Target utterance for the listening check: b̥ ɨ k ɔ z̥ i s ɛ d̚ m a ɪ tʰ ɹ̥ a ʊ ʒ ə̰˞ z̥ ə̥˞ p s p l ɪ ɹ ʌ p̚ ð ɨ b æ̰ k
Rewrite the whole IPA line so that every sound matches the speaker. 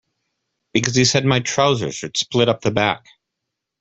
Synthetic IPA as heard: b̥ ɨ k ʌ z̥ i s ɛ d̚ m a ɪ tʰ ɹ̥ a ʊ z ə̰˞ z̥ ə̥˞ s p l ɪ ɾ ʌ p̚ ð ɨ b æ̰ k